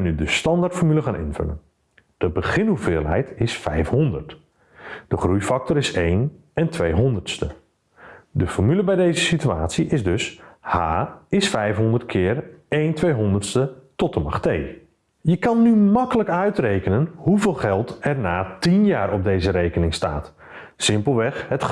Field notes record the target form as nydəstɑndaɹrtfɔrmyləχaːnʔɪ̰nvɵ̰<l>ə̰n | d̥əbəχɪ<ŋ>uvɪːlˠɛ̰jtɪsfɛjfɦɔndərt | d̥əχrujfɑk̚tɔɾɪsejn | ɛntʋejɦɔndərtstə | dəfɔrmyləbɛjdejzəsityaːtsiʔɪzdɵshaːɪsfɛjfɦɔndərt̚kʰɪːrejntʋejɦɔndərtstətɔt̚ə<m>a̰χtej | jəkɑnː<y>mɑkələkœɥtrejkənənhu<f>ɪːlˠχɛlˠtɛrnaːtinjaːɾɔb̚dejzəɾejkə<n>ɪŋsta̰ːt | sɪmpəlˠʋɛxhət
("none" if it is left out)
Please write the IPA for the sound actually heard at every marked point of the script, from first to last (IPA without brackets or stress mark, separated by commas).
l, n, m, y, v, n